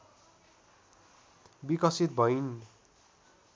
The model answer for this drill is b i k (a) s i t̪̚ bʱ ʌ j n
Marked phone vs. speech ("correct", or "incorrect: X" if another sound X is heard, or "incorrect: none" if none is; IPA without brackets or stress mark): incorrect: ʌ